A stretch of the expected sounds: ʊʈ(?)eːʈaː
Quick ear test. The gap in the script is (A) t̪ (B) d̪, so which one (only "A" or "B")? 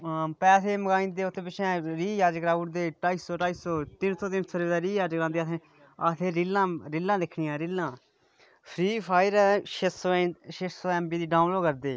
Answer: B